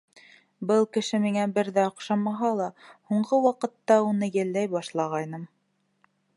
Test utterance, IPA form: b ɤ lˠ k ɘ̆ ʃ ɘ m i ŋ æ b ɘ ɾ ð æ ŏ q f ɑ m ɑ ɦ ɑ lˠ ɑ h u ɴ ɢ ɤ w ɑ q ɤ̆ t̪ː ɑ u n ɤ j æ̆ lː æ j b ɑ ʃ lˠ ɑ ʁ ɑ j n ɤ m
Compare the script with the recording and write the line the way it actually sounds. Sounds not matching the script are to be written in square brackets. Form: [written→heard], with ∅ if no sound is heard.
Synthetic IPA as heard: b ɤ lˠ k ɘ̆ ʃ ɘ m i ŋ æ b ɘ ɾ ð æ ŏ q [f→ʃ] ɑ m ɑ ɦ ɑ lˠ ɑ h u ɴ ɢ ɤ w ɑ q ɤ̆ t̪ː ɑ u n ɤ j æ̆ lː æ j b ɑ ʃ lˠ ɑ ʁ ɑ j n ɤ m

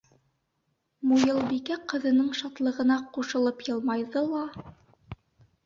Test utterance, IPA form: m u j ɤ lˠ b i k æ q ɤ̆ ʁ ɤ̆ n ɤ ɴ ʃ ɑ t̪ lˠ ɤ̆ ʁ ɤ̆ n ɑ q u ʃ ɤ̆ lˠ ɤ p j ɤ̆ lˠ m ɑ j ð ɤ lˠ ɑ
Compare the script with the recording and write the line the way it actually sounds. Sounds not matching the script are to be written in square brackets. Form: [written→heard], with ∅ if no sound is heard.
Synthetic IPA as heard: m u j ɤ lˠ b i k æ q ɤ̆ [ʁ→ð] ɤ̆ n ɤ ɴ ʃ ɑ t̪ lˠ ɤ̆ ʁ ɤ̆ n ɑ q u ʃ ɤ̆ lˠ ɤ p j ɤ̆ lˠ m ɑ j ð ɤ lˠ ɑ

